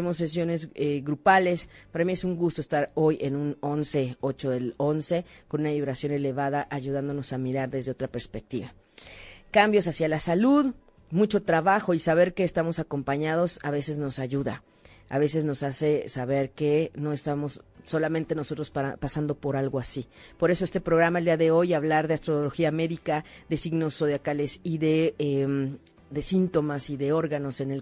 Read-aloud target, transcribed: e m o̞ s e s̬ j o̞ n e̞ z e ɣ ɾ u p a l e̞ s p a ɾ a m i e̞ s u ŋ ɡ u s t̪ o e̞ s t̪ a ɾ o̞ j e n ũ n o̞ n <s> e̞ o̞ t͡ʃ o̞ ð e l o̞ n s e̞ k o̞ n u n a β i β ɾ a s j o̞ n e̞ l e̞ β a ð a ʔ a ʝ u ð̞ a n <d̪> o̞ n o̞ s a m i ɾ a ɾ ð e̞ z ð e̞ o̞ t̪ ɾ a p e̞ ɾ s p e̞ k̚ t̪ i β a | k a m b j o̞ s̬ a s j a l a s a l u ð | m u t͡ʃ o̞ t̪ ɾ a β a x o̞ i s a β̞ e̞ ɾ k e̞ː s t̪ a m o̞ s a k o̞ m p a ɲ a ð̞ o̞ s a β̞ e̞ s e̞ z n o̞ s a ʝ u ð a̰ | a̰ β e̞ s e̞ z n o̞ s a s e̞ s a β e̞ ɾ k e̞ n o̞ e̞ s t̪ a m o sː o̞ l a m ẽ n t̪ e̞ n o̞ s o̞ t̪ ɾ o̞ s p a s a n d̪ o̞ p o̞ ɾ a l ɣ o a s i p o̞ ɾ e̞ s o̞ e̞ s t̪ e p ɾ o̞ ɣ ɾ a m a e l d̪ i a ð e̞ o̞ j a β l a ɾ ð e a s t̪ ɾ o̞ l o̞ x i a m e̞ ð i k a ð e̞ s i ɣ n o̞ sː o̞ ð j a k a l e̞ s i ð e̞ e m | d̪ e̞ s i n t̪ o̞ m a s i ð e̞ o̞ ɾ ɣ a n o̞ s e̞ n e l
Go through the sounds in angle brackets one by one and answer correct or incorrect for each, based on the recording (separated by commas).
correct, correct